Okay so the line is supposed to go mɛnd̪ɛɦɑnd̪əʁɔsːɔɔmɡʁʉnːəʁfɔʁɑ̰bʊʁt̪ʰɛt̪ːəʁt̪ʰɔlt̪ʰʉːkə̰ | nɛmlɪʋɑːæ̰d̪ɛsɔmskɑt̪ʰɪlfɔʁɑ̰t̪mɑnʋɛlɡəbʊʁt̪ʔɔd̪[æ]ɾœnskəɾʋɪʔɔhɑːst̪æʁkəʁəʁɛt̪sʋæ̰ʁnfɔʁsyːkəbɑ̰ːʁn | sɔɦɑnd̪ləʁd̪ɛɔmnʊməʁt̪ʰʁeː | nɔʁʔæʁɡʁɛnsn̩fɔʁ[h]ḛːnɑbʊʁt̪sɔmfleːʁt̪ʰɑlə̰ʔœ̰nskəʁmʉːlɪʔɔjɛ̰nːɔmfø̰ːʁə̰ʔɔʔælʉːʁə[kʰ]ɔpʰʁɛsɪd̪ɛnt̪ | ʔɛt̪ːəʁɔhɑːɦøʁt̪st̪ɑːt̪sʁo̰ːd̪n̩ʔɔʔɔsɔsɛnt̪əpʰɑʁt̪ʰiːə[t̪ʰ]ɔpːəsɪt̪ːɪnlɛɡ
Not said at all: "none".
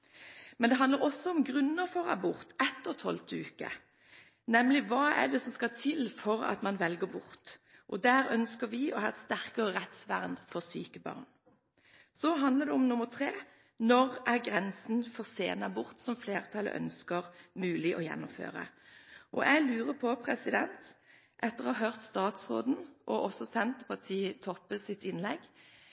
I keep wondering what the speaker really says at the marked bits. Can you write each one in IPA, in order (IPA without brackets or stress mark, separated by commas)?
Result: æː, s, pʰ, t̪ʰ